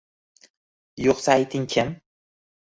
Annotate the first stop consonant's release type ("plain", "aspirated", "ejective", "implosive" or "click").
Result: plain